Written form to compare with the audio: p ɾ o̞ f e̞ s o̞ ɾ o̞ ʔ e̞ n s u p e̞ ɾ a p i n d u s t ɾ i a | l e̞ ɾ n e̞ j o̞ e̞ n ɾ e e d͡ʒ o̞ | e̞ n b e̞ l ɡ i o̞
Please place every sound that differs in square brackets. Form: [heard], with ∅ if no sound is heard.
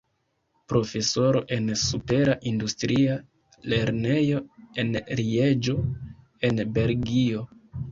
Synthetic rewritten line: p ɾ o̞ f e̞ s o̞ ɾ o̞ ʔ e̞ n s u p e̞ ɾ a [ʔ] i n d u s t ɾ i a | l e̞ ɾ n e̞ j o̞ e̞ n ɾ [i] e d͡ʒ o̞ | e̞ n b e̞ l ɡ i o̞